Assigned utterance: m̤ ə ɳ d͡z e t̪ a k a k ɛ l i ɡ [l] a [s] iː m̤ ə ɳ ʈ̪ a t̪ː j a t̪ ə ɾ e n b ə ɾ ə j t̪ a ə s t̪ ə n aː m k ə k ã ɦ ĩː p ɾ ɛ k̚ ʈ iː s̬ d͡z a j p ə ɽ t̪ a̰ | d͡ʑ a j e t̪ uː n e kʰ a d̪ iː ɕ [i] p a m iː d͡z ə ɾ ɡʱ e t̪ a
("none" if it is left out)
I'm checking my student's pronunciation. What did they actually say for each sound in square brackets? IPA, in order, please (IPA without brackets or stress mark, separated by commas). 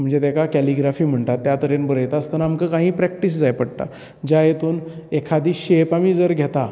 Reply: ɾ, f, e